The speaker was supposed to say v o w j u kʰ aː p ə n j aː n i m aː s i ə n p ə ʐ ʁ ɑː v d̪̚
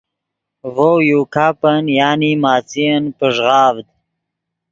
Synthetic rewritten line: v o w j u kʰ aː p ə n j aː n i m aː t͡s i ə n p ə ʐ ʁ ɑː v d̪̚